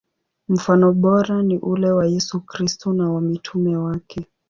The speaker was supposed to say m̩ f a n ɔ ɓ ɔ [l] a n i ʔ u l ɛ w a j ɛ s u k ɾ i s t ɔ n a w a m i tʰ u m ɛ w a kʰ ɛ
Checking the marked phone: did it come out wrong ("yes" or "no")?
yes